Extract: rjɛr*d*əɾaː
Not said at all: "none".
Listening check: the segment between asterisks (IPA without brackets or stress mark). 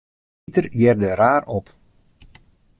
d